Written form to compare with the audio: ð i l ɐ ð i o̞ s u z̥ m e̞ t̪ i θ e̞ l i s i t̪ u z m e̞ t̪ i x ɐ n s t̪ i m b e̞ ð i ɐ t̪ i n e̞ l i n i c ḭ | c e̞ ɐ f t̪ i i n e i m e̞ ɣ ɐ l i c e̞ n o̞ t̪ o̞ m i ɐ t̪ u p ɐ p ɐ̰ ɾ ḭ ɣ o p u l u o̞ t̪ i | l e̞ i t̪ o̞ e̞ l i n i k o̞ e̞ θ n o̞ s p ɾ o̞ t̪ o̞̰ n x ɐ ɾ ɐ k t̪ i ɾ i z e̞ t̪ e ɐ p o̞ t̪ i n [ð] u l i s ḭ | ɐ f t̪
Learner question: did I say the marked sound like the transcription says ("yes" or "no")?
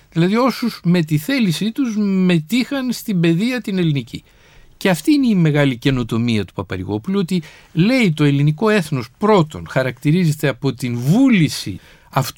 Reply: no